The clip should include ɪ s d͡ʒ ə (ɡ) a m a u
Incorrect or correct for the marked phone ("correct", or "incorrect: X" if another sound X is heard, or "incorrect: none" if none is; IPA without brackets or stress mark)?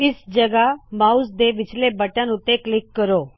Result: correct